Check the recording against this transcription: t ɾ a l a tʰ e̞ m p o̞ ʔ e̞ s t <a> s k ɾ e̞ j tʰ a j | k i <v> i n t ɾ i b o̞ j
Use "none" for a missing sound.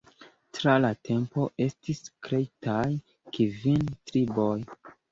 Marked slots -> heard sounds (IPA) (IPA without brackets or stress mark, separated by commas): i, v